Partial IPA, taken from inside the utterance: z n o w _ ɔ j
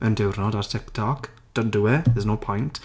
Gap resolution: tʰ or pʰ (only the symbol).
pʰ